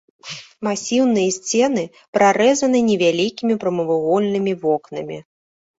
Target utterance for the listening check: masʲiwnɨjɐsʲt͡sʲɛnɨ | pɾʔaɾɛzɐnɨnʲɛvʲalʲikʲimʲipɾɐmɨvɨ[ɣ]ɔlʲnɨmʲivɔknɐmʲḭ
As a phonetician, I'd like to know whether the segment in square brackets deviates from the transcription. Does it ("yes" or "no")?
no